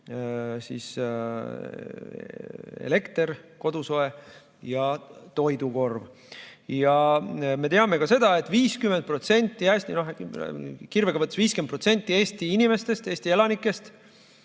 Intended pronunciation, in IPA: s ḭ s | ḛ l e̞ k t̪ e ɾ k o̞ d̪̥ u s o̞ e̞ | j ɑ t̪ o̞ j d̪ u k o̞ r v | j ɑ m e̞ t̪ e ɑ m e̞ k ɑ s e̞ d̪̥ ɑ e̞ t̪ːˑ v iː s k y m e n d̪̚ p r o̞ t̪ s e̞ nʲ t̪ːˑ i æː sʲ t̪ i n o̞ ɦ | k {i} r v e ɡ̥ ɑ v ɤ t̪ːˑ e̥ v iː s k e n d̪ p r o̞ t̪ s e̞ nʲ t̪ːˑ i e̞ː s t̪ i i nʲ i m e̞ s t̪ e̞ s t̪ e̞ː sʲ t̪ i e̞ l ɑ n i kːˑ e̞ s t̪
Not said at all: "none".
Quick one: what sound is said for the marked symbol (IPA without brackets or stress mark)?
i